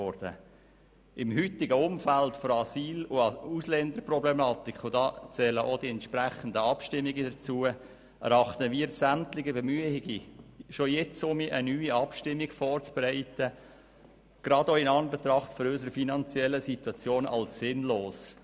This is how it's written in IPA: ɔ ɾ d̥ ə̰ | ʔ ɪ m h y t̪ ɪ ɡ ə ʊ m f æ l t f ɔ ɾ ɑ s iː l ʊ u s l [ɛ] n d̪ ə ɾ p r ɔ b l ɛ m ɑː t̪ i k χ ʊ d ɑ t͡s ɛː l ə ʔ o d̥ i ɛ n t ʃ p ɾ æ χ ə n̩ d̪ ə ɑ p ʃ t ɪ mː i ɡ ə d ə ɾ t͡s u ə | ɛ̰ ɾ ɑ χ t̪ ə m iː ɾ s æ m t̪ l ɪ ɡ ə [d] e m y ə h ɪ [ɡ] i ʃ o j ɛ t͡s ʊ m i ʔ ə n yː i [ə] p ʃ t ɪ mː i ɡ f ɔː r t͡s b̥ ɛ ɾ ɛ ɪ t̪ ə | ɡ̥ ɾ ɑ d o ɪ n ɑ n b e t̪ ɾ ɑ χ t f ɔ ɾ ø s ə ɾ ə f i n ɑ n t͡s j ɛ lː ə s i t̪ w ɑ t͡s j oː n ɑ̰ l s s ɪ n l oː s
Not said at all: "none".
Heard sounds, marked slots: ɛ, b, ɡ, ɑ

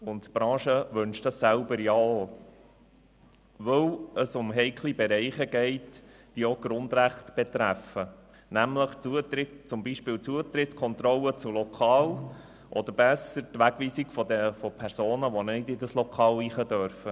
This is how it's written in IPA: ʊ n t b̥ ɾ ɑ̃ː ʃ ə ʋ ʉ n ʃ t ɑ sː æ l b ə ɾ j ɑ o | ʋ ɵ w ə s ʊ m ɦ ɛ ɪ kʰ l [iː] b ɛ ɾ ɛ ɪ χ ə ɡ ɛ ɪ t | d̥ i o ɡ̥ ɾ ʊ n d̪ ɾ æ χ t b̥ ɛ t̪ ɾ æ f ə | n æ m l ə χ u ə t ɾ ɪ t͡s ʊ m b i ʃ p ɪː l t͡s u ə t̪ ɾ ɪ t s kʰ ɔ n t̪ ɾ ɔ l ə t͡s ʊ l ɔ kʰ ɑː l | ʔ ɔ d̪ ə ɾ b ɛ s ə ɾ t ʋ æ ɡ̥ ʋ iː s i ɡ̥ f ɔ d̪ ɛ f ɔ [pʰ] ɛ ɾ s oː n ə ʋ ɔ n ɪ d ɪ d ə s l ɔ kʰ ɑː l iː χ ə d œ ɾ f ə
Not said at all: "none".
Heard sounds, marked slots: i, pʰ

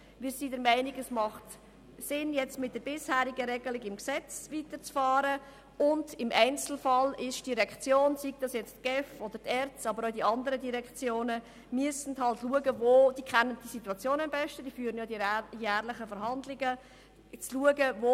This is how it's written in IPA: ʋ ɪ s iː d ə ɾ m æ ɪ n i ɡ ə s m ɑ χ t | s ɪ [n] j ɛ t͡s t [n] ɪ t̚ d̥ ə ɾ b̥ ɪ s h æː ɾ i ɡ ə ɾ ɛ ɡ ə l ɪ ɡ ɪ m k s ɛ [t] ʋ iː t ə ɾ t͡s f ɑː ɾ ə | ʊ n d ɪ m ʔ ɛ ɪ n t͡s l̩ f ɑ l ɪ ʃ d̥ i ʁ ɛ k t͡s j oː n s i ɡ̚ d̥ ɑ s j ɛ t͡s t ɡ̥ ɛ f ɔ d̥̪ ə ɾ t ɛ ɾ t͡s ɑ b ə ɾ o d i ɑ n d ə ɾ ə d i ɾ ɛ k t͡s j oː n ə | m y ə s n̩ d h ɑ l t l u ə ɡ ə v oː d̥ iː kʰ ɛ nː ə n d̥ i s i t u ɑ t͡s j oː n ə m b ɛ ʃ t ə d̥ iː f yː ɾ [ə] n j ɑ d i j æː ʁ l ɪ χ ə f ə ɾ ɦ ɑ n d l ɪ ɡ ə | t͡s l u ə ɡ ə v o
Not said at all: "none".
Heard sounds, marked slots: n, m, t͡s, ə

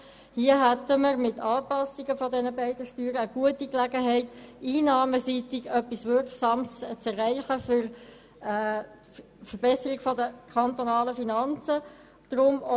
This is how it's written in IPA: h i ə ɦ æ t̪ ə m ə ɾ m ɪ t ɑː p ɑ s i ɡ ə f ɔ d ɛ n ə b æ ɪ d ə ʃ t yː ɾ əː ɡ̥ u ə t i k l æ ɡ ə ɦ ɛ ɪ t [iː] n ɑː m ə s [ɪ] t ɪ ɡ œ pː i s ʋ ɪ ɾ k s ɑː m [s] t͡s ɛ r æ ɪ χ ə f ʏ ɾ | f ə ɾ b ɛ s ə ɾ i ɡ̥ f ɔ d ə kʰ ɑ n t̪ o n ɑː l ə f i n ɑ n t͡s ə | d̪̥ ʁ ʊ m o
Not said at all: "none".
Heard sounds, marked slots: iː, i, s

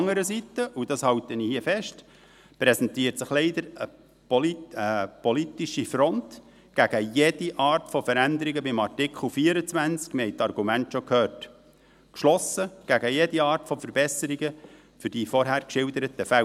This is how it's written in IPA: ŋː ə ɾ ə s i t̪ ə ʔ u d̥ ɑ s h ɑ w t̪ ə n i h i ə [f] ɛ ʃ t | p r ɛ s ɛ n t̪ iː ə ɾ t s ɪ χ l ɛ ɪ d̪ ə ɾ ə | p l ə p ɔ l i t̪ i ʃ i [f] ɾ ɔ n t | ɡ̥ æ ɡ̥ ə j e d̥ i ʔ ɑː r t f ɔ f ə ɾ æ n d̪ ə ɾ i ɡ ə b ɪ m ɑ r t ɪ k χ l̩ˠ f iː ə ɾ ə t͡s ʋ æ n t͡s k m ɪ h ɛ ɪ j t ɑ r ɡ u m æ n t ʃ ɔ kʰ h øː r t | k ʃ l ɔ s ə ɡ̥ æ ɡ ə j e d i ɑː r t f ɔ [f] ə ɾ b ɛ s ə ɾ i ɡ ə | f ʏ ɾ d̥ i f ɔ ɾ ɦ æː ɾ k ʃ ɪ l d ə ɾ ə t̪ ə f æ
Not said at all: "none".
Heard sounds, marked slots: f, f, f

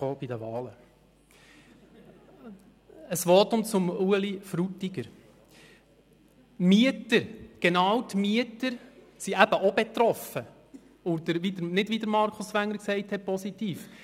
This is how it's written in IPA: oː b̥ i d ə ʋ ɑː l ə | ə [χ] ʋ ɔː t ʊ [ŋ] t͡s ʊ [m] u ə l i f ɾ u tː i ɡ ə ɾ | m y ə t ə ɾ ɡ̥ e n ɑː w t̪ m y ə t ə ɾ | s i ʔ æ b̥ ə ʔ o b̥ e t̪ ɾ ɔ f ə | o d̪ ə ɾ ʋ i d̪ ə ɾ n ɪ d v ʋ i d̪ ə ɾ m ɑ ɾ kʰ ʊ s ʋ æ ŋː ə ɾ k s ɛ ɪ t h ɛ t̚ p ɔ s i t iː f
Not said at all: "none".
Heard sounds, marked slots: s, m, m

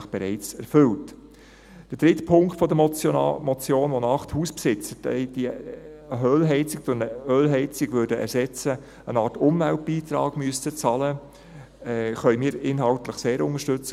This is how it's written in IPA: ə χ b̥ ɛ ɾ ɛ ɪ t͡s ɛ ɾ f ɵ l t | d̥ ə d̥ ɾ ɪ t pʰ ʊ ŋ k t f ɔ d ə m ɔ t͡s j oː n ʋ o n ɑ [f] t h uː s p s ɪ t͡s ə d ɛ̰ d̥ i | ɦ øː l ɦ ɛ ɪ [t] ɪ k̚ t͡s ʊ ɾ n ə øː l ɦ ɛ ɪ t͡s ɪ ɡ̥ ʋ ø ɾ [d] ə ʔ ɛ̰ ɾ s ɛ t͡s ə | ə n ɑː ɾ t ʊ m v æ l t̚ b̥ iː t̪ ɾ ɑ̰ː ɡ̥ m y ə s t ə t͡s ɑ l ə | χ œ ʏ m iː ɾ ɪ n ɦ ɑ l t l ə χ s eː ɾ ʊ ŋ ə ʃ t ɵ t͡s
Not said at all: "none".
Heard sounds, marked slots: χ, t͡s, d

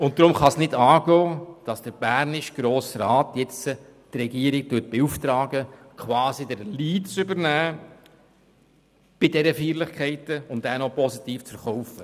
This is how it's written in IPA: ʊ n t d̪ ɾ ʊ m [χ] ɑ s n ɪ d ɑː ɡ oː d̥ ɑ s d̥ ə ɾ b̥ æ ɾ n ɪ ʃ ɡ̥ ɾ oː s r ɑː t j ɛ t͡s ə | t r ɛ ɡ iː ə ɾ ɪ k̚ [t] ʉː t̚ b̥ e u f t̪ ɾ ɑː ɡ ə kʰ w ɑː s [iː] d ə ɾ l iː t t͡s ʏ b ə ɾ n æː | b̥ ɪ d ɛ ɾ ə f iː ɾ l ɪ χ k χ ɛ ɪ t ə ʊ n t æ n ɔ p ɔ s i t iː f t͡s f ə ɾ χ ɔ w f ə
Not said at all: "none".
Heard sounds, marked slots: χ, t, i

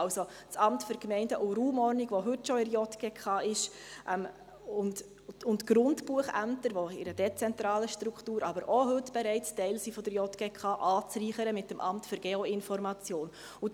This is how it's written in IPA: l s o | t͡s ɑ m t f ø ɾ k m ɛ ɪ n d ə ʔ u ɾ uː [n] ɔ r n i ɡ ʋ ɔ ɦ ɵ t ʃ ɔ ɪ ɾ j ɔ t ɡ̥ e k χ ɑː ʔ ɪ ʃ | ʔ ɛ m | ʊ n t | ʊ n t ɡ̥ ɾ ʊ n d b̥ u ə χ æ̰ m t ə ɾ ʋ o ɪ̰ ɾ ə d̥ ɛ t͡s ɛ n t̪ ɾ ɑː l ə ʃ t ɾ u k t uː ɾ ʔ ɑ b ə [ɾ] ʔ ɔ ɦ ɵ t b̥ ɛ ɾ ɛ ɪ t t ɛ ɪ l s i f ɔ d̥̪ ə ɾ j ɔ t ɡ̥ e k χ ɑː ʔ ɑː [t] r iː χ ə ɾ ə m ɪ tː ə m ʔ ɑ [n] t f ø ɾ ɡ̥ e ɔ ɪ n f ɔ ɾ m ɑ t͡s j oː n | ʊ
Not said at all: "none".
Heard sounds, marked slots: m, ɾ, t͡s, m

